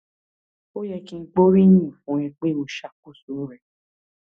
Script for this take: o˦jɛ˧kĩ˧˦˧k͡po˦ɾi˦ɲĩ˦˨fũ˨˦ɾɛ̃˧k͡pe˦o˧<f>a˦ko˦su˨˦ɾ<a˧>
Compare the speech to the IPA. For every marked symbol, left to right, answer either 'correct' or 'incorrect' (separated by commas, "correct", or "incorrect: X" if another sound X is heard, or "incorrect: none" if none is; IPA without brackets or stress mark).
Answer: incorrect: ʃ, incorrect: ɛ˧